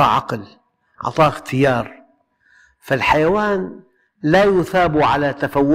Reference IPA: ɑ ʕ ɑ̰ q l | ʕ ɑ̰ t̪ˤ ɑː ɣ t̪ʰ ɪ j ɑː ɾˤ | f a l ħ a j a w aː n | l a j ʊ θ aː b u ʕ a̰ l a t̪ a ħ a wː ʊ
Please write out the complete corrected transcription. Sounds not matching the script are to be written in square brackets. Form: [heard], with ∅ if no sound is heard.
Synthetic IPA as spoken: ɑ ʕ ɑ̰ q l | ʕ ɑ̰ t̪ˤ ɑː [x] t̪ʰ ɪ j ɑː ɾˤ | f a l ħ a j a w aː n | l a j ʊ θ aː b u ʕ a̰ l a t̪ a [f] a wː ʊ